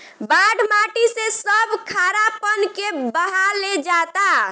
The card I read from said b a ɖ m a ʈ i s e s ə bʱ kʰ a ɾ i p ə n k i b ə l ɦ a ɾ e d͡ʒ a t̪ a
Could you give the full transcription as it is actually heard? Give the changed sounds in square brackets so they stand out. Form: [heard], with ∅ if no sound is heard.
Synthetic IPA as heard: b a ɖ m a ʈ i s e s ə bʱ kʰ a ɾ [a] p ə n k [e] b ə [∅] ɦ a [l] e d͡ʒ a t̪ a